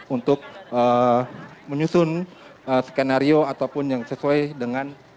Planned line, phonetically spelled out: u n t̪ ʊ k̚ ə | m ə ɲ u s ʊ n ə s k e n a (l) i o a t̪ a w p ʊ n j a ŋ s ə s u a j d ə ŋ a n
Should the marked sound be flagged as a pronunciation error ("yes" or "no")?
yes